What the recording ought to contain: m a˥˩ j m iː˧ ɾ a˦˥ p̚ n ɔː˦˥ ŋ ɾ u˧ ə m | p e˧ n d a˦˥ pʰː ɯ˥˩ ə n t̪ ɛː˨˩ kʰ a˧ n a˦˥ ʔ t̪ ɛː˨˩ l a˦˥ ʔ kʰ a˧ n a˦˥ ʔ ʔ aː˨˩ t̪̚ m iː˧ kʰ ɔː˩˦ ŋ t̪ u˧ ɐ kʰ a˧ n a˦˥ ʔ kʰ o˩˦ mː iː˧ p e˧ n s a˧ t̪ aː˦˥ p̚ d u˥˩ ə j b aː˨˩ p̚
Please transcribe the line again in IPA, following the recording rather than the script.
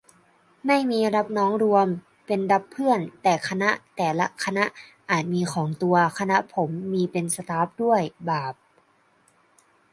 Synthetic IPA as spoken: m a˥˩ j m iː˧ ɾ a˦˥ p̚ n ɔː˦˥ ŋ ɾ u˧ ə m | p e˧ n d a˦˥ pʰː ɯ˥˩ ə n t̪ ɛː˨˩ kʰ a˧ n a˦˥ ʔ t̪ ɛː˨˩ l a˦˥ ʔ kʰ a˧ n a˦˥ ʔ ʔ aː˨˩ t̪̚ m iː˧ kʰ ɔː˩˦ ŋ t̪ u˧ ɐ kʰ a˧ n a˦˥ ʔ pʰ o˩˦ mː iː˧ p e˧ n s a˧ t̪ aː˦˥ p̚ d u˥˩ ə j b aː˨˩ p̚